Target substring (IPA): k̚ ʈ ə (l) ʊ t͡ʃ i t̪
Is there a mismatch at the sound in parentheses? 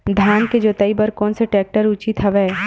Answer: yes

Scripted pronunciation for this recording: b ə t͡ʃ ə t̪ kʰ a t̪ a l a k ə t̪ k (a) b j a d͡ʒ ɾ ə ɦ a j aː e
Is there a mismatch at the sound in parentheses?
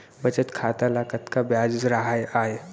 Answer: no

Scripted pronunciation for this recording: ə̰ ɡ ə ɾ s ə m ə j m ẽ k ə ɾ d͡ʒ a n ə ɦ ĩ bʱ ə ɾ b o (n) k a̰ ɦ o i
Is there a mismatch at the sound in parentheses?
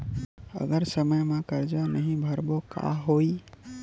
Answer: yes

